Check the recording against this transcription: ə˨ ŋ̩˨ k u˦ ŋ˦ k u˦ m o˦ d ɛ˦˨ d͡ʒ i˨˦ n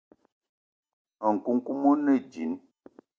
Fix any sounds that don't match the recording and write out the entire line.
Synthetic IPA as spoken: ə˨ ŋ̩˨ k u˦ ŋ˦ k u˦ m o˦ n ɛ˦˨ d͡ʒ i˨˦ n